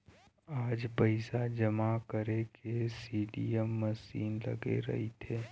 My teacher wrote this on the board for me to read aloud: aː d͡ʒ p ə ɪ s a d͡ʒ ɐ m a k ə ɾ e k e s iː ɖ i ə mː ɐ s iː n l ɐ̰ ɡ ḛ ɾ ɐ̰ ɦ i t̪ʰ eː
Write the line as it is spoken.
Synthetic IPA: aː d͡ʒ p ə ɪ s a d͡ʒ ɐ m a k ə ɾ e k e s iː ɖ i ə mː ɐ s iː n l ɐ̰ ɡ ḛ ɾ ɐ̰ ɦ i t̪ʰ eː